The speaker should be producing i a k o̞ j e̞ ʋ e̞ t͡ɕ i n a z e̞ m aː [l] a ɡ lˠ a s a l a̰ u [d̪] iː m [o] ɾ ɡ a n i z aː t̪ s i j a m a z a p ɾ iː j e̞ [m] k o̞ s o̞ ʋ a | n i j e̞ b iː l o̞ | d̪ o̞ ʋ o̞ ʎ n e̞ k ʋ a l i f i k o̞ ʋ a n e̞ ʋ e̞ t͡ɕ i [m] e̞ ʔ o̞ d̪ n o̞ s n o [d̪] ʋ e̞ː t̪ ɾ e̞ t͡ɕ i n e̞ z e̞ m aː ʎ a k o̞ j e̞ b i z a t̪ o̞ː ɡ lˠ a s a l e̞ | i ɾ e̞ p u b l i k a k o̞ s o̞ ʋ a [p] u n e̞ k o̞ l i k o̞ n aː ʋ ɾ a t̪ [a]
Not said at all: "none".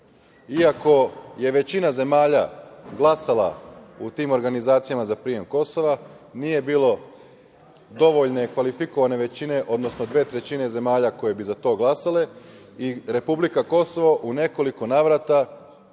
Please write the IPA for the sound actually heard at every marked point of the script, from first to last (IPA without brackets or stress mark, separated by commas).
ʎ, t̪, o, m, n, d̪, ʔ, a